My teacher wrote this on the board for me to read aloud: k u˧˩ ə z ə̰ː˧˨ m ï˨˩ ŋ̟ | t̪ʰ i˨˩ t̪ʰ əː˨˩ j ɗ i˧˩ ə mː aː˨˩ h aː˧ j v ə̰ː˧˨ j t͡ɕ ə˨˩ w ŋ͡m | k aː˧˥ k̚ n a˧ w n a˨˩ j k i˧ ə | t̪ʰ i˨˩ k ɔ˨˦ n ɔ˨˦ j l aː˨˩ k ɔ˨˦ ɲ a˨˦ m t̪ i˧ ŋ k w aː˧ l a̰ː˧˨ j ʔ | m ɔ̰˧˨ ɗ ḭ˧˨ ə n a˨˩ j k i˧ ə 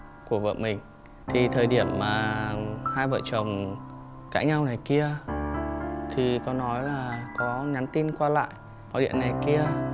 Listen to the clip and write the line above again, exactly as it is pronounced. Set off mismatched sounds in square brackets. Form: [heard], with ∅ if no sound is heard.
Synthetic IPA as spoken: k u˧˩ ə [v] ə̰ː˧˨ m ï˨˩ ŋ̟ | t̪ʰ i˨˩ t̪ʰ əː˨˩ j ɗ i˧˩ ə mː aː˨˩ h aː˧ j v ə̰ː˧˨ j t͡ɕ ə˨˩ w ŋ͡m | k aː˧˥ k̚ [ɲ] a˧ w n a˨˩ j k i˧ ə | t̪ʰ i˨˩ k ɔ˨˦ n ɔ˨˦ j l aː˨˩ k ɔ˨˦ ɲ a˨˦ [n] t̪ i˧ [n] k w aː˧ l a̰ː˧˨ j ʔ | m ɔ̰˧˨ ɗ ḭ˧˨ ə n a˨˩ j k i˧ ə

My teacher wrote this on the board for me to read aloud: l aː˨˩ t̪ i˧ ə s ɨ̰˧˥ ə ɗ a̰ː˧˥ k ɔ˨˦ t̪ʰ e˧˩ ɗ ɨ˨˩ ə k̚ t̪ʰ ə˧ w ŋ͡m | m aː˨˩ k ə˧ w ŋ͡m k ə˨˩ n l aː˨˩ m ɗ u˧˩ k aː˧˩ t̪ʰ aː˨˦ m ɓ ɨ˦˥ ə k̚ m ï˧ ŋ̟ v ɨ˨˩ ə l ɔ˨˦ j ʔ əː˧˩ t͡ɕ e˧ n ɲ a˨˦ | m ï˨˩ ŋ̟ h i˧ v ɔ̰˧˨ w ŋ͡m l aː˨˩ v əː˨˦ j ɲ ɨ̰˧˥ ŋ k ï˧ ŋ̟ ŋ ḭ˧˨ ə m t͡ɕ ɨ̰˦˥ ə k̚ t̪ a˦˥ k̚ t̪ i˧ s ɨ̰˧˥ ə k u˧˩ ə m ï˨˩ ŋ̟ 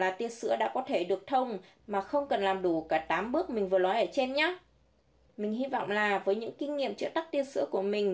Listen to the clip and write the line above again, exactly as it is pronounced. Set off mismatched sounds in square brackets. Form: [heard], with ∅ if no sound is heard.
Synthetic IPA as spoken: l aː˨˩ t̪ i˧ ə s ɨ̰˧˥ ə ɗ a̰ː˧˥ k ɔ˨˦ t̪ʰ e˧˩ ɗ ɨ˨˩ ə k̚ t̪ʰ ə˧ w ŋ͡m | m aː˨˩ [x] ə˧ w ŋ͡m k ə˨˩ n l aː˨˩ m ɗ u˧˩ k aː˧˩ [t̪] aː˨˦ m ɓ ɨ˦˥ ə k̚ m [ï˨˩] ŋ̟ v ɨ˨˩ ə l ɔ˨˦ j ʔ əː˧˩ t͡ɕ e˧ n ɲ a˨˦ | m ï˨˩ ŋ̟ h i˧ v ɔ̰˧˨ w ŋ͡m l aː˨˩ v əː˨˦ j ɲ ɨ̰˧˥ ŋ k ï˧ ŋ̟ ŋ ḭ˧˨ ə m t͡ɕ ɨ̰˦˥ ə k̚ t̪ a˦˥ k̚ t̪ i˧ s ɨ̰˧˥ ə k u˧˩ ə m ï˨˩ ŋ̟

